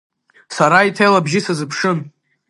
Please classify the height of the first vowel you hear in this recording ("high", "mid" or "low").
low